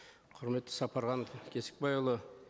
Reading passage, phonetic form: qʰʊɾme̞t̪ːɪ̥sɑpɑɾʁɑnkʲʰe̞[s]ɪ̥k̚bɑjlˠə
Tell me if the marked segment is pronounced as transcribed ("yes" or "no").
yes